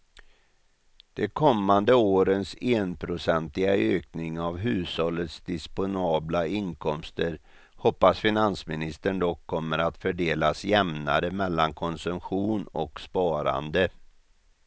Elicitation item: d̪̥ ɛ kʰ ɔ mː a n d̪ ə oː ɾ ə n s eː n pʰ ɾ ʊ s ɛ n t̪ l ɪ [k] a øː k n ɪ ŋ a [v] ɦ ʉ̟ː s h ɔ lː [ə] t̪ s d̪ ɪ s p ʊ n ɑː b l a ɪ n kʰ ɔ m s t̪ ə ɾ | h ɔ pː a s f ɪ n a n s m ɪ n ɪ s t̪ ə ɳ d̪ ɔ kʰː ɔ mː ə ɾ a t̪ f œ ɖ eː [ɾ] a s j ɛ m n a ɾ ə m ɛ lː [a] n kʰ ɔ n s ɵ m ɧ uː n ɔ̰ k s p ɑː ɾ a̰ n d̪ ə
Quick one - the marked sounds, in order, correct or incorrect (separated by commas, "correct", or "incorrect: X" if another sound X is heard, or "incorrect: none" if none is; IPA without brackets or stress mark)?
incorrect: ɡ, correct, correct, incorrect: l, correct